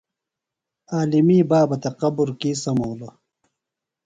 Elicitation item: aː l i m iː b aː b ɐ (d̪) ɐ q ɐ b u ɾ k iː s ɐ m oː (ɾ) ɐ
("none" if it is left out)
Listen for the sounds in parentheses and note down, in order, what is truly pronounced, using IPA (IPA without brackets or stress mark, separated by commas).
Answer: t̪, l